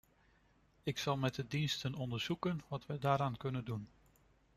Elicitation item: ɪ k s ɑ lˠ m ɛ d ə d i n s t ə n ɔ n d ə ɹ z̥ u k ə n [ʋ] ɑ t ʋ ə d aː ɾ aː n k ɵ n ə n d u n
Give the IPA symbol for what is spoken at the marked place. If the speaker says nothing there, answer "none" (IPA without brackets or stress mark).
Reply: ʋ